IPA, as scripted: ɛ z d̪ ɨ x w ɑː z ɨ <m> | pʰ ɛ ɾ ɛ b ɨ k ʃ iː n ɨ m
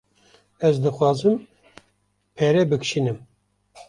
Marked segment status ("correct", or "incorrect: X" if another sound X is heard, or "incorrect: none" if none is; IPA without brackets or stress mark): correct